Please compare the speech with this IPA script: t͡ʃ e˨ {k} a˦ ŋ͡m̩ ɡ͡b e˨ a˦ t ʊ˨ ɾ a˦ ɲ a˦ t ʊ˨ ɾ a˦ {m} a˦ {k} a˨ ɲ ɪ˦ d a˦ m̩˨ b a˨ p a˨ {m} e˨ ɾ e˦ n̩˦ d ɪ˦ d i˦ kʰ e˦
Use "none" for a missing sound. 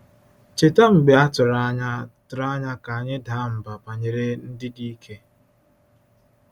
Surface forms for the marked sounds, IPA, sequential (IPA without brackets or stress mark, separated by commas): t, ɲ, k, ɲ